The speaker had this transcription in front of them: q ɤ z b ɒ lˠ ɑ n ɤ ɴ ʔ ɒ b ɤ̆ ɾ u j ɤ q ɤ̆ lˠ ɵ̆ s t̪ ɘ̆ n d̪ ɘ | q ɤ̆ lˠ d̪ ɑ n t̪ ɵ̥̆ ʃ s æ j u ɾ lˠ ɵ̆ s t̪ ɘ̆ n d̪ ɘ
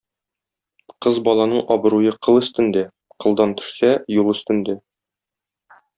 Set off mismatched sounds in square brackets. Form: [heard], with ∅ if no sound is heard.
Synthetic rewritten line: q ɤ z b ɒ lˠ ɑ n ɤ ɴ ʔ ɒ b ɤ̆ ɾ u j ɤ q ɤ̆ lˠ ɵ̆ s t̪ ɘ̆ n d̪ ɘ | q ɤ̆ lˠ d̪ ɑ n t̪ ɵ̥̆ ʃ s æ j u [∅] lˠ ɵ̆ s t̪ ɘ̆ n d̪ ɘ